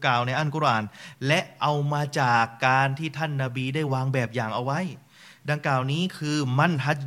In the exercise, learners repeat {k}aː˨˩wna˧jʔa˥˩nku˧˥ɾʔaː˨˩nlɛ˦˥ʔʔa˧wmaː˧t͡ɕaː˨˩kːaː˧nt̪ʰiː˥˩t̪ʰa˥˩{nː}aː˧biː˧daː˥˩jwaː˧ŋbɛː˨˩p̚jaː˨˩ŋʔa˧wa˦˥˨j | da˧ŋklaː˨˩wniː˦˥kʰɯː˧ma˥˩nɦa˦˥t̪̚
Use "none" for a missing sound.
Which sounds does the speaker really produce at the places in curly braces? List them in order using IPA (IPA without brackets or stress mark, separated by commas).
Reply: k, nː